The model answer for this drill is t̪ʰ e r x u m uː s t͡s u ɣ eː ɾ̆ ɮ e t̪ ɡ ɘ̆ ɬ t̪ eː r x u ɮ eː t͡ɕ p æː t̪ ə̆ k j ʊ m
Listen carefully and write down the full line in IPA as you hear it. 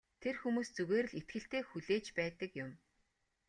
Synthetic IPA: t̪ʰ e r x u m uː s t͡s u ɣ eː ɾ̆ ɮ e t̪ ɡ ɘ̆ ɬ t̪ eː x u ɮ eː t͡ɕ p æː t̪ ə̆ k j ʊ m